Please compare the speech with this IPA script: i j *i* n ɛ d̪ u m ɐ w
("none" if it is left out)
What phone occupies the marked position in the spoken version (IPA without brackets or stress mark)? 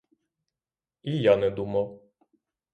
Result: a